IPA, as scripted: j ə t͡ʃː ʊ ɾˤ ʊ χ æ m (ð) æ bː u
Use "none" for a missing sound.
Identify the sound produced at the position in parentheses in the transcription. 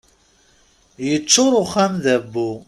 ð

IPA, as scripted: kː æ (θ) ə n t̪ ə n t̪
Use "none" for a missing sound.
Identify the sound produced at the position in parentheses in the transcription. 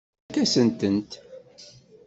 s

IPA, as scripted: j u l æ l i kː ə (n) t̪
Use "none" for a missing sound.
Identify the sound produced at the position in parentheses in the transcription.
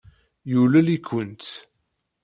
n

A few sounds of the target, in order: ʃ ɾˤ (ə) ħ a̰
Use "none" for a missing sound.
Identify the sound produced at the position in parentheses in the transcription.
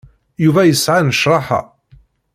ɑ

